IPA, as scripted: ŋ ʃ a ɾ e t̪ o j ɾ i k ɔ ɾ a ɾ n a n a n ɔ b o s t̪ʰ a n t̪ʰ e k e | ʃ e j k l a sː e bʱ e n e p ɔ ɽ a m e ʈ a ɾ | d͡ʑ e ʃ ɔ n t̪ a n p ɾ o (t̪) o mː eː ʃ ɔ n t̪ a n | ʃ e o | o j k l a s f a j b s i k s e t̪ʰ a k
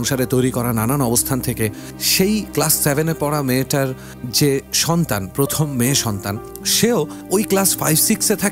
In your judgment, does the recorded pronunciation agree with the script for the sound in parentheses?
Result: no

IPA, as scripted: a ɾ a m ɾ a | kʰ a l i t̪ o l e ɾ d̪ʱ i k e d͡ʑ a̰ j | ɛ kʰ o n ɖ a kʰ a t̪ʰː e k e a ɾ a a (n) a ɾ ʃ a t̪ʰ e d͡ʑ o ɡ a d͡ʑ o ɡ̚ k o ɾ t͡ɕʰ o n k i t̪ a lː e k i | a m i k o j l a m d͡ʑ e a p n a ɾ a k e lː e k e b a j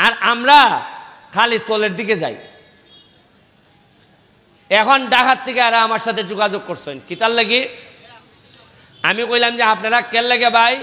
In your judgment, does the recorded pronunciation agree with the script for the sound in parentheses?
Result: no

